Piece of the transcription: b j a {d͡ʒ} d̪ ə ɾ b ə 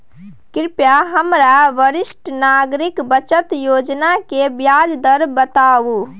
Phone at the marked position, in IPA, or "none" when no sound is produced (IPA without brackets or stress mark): d͡ʒ